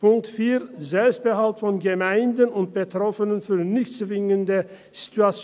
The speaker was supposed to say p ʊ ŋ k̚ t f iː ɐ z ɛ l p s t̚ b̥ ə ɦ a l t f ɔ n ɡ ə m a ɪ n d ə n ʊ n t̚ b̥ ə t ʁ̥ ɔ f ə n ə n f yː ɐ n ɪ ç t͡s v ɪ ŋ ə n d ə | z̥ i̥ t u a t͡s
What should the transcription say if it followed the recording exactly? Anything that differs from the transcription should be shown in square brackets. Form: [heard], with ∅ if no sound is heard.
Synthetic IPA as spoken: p ʊ ŋ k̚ t f iː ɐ z ɛ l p s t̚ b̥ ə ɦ a l t f ɔ n ɡ ə m a ɪ n d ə n ʊ n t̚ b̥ ə t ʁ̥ ɔ f ə n ə n f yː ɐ n ɪ ç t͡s v ɪ ŋ ə n d ə | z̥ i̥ t u a t͡s

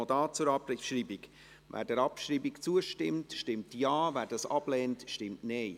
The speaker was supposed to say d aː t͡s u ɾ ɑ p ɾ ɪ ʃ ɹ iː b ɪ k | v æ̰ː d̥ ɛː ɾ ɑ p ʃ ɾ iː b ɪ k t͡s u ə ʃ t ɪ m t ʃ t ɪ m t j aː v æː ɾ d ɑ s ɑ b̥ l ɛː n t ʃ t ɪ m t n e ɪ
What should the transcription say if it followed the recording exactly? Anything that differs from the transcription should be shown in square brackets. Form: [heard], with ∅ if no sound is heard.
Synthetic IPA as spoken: d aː t͡s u ɾ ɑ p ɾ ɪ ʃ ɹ iː b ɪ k | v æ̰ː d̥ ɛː ɾ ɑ p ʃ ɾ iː b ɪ k t͡s u ə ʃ t ɪ m t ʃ t ɪ m t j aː v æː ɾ d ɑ s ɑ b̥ l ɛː n t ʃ t ɪ m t n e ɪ

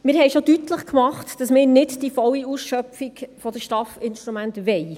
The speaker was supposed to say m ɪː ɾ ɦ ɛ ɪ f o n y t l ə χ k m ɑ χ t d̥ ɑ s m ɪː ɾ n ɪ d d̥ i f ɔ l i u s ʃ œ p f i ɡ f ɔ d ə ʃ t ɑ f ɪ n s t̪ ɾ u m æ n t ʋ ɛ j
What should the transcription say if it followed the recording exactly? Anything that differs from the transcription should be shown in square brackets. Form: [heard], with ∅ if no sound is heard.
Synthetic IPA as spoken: m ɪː ɾ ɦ ɛ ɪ [ʃ] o [d] y t l ə χ k m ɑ χ t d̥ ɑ s m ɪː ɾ n ɪ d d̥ i f ɔ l i u s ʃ œ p f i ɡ f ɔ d ə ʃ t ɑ f ɪ n [ʃ] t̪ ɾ u m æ n t ʋ ɛ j

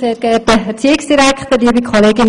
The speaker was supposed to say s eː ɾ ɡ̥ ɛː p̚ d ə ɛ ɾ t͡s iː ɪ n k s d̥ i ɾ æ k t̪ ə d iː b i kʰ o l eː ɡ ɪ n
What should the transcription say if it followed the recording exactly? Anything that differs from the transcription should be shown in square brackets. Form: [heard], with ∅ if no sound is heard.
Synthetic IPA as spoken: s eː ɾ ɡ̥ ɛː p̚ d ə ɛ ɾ t͡s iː ɪ [∅] k s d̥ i ɾ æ k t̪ ə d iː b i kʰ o l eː ɡ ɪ n

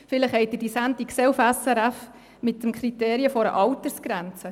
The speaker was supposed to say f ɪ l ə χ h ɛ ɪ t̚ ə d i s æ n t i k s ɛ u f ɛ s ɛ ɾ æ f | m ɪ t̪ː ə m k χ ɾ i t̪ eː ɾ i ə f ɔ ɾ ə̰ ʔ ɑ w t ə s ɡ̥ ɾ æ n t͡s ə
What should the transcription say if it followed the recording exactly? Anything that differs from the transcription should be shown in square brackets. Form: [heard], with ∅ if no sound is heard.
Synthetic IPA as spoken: f ɪ l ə χ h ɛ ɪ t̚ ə d i s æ n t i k s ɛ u f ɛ s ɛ ɾ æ f | m ɪ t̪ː ə m k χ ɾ i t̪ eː ɾ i ə f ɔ ɾ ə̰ ʔ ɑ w t ə s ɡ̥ ɾ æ n t͡s ə

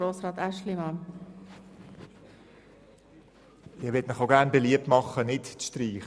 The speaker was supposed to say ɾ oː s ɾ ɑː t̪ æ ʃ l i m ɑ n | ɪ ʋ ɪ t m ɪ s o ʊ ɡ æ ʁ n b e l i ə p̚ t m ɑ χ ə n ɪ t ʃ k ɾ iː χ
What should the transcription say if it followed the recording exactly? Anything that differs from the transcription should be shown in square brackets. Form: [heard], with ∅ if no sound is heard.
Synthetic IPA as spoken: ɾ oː s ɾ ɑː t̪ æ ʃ l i m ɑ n | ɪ ʋ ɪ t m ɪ [χ] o ʊ ɡ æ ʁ n b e l i ə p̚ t m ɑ χ ə n ɪ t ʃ [t] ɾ iː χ

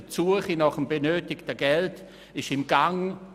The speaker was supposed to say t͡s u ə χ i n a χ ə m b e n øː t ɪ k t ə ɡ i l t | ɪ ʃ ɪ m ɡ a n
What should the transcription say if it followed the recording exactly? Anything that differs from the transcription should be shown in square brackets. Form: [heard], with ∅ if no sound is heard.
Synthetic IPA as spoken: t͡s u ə χ i n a χ ə m b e n øː t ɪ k t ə ɡ [ɛ] l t | ɪ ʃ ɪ m ɡ a [ŋ]

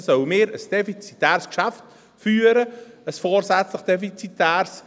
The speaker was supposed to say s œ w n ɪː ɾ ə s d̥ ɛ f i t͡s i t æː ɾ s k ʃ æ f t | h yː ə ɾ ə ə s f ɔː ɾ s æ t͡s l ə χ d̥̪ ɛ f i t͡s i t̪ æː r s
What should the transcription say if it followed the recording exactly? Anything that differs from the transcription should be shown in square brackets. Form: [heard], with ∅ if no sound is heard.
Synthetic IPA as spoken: s œ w [m] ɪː ɾ ə s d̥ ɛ f i t͡s i t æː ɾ s k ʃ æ f t | [f] yː ə ɾ ə ə s f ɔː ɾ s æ t͡s l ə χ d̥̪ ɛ f i t͡s i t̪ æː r s

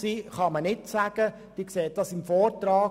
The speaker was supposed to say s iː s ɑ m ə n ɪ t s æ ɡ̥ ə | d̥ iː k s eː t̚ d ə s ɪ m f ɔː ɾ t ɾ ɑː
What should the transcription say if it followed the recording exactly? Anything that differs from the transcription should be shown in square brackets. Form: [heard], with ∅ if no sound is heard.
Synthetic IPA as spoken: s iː [χ] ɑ m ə n ɪ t s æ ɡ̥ ə | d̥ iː k s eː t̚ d [ɑ] s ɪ m f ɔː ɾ t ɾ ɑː

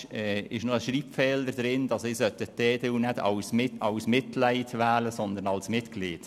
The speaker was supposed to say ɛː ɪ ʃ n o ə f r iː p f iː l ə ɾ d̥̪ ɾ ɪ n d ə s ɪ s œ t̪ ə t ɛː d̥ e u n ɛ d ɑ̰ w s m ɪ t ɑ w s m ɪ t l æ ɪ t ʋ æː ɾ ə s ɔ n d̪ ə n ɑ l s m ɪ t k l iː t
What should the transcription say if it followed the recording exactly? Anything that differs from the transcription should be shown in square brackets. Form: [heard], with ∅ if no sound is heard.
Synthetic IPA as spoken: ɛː ɪ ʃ n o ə [ʃ] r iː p f [ɛː] l ə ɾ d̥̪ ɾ ɪ n d [ɑ] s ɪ s œ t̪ ə t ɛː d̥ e u n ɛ d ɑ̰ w s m ɪ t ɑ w s m ɪ t l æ ɪ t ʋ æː [l] ə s ɔ n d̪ ə n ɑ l s m ɪ t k l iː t

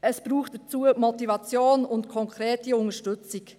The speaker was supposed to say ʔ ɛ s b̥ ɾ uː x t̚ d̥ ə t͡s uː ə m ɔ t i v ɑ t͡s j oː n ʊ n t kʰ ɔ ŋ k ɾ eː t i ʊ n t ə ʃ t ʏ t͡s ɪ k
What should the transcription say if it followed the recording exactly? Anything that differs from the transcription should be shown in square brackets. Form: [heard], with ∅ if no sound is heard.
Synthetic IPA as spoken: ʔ ɛ s b̥ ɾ uː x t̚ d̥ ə t͡s uː ə m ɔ t i v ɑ t͡s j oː n ʊ n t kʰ ɔ ŋ k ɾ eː t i ʊ n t ə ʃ t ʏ t͡s ɪ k

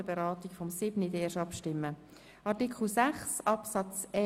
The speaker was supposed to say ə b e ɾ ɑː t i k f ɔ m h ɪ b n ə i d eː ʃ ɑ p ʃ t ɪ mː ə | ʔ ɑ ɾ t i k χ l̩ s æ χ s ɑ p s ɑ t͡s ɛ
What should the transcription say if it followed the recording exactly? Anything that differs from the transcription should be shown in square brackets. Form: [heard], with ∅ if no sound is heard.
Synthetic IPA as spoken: ə b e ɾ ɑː t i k f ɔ m [s] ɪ b n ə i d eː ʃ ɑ p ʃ t ɪ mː ə | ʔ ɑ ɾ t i k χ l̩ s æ χ s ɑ p s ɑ t͡s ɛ

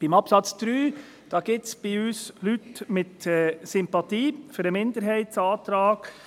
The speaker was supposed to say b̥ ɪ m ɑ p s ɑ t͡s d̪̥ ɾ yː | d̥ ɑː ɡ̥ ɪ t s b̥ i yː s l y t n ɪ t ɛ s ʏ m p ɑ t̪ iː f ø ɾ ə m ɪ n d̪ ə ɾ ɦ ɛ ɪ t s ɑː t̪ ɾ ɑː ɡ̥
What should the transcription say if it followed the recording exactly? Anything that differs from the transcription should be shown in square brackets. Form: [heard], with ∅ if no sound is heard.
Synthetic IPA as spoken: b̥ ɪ m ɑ p s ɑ t͡s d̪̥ ɾ yː | d̥ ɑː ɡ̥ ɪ t s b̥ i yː s l y t [m] ɪ t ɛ s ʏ m p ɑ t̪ iː f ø ɾ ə m ɪ n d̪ ə ɾ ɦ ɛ ɪ t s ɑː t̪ ɾ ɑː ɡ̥

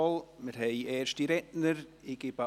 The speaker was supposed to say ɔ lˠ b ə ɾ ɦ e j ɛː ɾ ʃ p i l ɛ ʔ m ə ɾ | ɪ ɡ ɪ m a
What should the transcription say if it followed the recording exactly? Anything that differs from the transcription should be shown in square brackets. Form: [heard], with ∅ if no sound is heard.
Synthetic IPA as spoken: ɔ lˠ [m] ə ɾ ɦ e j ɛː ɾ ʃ [t] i [ɾ] ɛ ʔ [n] ə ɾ | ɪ ɡ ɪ [b] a

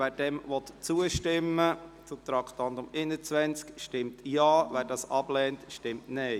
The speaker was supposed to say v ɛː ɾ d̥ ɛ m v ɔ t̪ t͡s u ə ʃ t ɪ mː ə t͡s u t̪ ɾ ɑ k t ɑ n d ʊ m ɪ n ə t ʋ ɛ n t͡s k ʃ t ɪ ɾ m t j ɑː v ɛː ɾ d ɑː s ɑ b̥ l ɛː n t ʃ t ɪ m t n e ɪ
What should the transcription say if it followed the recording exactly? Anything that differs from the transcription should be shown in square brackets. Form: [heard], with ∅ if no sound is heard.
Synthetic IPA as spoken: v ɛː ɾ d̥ ɛ m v ɔ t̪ t͡s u ə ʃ t ɪ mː ə t͡s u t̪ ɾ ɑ k t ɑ n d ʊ m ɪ n ə [t͡s] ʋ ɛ n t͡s k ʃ t ɪ [∅] m t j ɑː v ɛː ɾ d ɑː s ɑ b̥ l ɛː n t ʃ t ɪ m t n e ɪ

